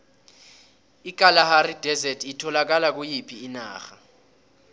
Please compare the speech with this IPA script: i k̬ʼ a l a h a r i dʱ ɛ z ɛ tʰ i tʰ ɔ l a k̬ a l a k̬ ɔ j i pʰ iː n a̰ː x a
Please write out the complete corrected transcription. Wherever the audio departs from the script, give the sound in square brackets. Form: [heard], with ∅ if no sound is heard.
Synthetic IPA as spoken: i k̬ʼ a l a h a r i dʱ ɛ z ɛ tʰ i tʰ ɔ l a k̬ a l a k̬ [u] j i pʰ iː n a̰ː x a